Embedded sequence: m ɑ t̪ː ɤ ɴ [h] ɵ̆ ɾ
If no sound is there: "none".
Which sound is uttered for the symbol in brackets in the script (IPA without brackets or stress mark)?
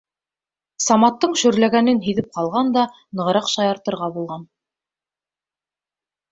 ʃ